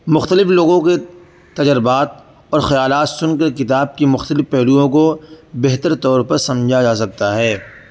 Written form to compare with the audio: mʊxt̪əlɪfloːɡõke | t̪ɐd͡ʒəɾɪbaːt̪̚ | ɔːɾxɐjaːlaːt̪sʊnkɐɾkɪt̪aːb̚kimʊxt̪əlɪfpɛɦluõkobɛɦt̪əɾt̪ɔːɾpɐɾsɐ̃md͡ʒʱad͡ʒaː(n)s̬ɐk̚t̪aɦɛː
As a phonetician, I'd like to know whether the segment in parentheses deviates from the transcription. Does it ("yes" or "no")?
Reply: yes